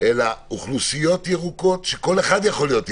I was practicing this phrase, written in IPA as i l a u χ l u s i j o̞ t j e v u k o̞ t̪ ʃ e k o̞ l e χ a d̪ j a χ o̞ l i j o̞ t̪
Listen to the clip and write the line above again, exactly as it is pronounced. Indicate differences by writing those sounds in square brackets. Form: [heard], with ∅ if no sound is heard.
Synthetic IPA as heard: [e] l a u χ l u s i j o̞ t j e [ʁ] u k o̞ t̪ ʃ e k o̞ l e χ a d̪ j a χ o̞ l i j o̞ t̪